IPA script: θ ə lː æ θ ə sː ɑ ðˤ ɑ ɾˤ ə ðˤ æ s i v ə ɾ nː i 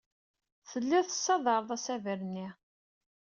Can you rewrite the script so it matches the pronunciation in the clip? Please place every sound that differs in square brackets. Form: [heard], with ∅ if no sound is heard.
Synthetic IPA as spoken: θ ə lː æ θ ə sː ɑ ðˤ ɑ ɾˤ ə ðˤ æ s [æ] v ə ɾ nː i